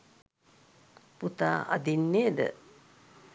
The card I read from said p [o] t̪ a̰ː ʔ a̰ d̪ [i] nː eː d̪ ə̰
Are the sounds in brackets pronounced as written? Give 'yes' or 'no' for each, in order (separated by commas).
no, yes